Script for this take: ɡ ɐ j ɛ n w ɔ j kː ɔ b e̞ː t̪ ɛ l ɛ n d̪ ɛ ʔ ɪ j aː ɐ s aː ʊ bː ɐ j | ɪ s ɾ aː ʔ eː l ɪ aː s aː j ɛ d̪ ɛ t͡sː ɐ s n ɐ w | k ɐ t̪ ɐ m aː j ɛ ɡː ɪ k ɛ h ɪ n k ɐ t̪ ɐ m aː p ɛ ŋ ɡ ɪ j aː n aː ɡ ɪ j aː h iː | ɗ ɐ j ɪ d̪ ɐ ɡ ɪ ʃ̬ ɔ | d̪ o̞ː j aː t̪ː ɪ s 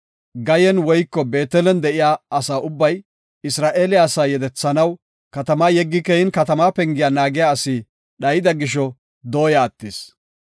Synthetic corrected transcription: ɡ ɐ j ɛ n w ɔ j kː ɔ b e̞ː t̪ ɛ l ɛ n d̪ ɛ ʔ ɪ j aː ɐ s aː ʊ bː ɐ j | ɪ s ɾ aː ʔ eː l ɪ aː s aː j ɛ d̪ ɛ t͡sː ɐ n ɐ w | k ɐ t̪ ɐ m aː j ɛ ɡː ɪ k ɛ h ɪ n k ɐ t̪ ɐ m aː p ɛ ŋ ɡ ɪ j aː n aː ɡ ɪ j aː s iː | ɗ ɐ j ɪ d̪ ɐ ɡ ɪ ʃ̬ ɔ | d̪ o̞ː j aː t̪ː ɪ s